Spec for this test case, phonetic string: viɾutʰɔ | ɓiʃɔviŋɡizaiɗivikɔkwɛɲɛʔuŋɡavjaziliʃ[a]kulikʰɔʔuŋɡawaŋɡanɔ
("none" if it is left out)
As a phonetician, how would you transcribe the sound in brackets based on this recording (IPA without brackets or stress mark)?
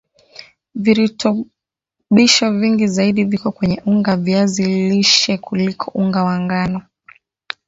ɛ